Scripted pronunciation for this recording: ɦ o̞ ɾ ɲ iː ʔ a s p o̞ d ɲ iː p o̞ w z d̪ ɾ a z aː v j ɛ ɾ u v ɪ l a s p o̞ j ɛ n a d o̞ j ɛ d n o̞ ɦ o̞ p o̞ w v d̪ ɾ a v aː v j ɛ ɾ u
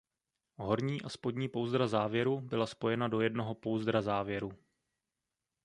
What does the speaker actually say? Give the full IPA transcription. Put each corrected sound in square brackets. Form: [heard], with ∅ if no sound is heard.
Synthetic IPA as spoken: ɦ o̞ ɾ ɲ iː ʔ a s p o̞ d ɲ iː p o̞ w z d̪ ɾ a z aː v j ɛ ɾ u [b] ɪ l a s p o̞ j ɛ n a d o̞ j ɛ d n o̞ ɦ o̞ p o̞ w [z] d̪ ɾ a [z] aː v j ɛ ɾ u